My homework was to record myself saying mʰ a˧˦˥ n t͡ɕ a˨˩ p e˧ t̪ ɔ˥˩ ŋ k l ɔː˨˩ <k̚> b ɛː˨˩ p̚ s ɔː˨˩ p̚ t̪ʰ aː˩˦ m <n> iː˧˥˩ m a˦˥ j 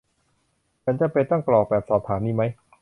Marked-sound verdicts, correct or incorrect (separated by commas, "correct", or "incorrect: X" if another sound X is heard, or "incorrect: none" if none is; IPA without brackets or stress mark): correct, correct